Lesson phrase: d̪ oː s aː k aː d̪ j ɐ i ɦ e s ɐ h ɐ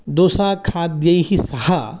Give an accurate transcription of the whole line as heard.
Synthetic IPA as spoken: d̪ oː s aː kʰ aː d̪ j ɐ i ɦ i s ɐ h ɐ